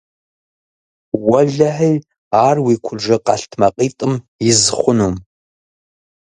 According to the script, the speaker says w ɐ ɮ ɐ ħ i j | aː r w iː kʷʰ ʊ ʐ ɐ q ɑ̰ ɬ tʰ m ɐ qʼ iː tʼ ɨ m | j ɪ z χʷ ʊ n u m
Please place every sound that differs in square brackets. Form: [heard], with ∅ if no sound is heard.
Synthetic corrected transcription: w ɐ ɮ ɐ ħ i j | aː r w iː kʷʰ ʊ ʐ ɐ q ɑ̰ ɬ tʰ m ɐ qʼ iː tʼ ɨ m | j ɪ z χʷ ʊ n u m